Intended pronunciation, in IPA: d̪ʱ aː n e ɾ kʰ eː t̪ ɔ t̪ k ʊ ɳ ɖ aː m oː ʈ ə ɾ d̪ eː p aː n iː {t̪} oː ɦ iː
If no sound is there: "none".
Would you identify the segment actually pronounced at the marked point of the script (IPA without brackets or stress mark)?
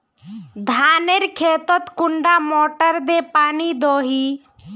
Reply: d̪